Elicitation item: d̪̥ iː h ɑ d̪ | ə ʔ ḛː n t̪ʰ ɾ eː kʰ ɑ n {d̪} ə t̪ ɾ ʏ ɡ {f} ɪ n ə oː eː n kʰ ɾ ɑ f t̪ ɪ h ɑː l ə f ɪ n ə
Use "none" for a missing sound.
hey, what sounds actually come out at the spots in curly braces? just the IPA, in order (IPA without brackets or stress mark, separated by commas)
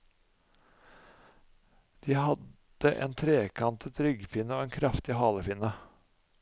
t̪, f